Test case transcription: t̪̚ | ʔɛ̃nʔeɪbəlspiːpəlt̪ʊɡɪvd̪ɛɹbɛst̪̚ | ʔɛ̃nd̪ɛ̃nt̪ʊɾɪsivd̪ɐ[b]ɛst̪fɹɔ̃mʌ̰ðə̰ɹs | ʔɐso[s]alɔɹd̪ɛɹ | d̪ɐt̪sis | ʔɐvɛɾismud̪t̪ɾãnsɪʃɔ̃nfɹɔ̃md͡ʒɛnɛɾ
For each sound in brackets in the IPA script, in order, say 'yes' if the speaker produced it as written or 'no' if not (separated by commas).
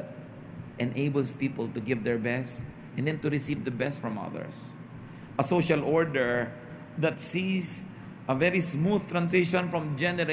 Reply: yes, no